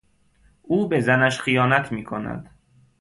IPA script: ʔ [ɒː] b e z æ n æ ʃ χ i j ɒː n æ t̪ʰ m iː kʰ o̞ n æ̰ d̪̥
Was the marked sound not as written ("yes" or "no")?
yes